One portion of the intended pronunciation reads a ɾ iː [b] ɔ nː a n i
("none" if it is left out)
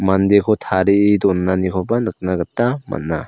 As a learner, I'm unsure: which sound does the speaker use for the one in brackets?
d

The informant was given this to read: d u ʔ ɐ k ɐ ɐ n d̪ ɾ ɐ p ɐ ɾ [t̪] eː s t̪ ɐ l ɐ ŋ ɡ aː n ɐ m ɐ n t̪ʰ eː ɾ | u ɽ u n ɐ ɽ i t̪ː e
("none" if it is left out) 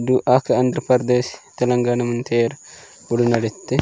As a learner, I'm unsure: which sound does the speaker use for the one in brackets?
d̪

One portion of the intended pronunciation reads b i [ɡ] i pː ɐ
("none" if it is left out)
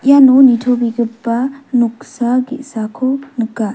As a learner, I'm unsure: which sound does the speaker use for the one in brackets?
ɡ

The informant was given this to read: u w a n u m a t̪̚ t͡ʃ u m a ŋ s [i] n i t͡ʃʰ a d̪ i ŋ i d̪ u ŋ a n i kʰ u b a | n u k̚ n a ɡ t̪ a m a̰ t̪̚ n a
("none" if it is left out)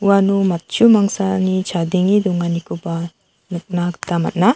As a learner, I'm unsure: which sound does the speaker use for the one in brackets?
a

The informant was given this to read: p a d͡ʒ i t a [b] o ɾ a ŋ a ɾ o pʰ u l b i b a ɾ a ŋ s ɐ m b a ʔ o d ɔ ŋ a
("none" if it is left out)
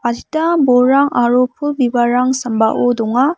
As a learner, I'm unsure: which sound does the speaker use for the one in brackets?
b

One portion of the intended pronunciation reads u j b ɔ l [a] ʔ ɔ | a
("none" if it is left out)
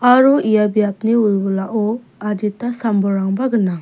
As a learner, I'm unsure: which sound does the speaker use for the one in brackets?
a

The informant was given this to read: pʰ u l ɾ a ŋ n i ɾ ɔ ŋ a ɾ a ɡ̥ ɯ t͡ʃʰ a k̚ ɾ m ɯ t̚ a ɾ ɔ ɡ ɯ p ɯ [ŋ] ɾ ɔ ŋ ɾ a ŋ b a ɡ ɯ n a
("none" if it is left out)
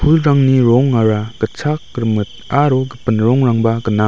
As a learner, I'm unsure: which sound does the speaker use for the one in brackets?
n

